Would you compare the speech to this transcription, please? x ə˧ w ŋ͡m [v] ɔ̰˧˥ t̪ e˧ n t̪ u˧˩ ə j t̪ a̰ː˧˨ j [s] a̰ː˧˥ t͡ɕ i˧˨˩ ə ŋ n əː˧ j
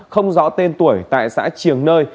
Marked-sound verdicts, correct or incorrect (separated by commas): incorrect, correct